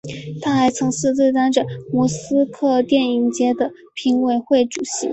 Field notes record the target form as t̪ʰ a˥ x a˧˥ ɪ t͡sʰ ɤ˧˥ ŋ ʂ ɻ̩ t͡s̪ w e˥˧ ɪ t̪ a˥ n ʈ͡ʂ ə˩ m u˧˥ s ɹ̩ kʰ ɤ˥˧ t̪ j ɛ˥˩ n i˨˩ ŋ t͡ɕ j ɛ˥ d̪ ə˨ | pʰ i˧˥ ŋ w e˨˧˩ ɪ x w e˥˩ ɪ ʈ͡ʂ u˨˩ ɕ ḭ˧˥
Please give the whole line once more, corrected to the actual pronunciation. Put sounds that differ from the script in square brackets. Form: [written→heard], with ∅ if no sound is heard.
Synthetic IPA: t̪ʰ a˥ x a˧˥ ɪ t͡sʰ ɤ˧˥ ŋ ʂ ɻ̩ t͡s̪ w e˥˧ ɪ t̪ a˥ n ʈ͡ʂ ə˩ m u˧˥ s ɹ̩ kʰ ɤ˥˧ t̪ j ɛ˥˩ n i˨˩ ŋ t͡ɕ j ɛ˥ d̪ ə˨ | pʰ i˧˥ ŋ w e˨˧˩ ɪ x w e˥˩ ɪ ʈ͡ʂ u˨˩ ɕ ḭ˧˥